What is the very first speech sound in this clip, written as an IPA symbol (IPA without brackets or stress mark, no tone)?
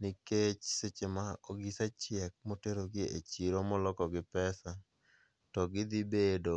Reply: n